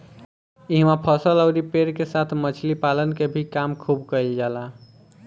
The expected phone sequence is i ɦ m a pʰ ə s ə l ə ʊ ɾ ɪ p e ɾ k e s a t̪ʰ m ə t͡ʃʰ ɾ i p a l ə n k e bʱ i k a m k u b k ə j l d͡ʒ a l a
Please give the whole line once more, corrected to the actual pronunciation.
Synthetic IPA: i ɦ m a pʰ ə s ə l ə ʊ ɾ i p e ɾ k e s a t̪ʰ m ə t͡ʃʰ l i p a l ə n k e bʱ i k a m kʰ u b k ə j l d͡ʒ a l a